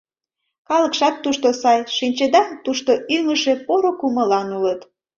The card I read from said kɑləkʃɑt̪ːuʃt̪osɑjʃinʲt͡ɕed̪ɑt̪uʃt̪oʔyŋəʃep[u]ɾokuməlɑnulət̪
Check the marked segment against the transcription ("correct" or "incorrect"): incorrect